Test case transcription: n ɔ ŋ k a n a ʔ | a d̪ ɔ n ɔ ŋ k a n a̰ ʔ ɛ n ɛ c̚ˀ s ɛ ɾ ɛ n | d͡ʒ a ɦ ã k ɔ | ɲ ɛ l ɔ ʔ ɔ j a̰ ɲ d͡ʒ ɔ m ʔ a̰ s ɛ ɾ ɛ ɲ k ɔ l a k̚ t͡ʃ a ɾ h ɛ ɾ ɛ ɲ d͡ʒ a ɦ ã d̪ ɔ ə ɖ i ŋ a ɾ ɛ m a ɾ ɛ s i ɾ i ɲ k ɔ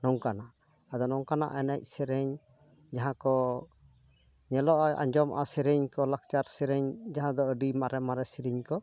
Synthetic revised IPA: n ɔ ŋ k a n a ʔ | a d̪ ɔ n ɔ ŋ k a n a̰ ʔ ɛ n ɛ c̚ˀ s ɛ ɾ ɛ ɲ | d͡ʒ a ɦ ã k ɔ | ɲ ɛ l ɔ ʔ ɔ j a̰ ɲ d͡ʒ ɔ m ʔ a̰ s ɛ ɾ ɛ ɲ k ɔ l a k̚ t͡ʃ a ɾ s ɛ ɾ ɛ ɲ d͡ʒ a ɦ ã d̪ ɔ ə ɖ i m a ɾ ɛ m a ɾ ɛ s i ɾ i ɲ k ɔ